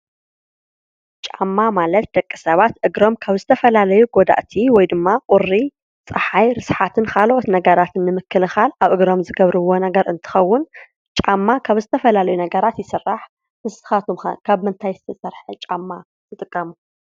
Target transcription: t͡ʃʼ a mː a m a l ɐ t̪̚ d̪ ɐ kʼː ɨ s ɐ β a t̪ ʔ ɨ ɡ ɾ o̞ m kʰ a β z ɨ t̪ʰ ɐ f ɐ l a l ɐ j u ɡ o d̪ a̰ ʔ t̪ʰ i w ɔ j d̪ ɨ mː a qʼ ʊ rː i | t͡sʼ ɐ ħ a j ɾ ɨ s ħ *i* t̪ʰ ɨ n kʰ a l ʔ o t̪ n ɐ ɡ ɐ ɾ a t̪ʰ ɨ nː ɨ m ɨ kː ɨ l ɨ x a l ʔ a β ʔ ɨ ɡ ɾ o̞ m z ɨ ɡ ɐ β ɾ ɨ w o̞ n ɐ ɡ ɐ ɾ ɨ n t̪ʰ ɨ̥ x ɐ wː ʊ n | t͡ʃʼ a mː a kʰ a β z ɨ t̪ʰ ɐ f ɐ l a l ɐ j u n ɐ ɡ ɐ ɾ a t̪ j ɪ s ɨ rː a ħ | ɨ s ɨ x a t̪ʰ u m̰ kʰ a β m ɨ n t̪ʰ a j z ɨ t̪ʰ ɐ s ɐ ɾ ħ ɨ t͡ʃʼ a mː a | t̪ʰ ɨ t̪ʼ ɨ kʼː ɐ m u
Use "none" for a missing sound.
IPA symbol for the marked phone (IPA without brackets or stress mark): a